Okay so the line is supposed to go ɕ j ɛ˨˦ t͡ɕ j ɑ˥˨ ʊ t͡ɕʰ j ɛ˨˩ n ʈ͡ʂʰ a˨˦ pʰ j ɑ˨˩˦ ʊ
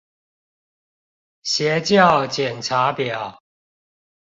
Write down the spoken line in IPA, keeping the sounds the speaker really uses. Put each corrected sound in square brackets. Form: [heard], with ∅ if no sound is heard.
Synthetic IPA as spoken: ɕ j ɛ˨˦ t͡ɕ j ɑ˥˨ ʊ [t͡ɕ] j ɛ˨˩ n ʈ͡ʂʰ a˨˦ [p] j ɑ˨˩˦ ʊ